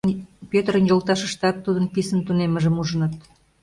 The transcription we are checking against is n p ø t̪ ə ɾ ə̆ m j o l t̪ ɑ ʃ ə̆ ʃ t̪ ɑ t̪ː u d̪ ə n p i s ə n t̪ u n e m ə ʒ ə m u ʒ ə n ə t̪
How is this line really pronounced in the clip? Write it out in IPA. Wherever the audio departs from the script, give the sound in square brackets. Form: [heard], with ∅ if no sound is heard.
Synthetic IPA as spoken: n p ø t̪ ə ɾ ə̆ [n] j o l t̪ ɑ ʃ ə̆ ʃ t̪ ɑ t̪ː u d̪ ə n p i s ə n t̪ u n e m ə ʒ ə m u ʒ ə n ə t̪